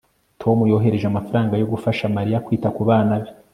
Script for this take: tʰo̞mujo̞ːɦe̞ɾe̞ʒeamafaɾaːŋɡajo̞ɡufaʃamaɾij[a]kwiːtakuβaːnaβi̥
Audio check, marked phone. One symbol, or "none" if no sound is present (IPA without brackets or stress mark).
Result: a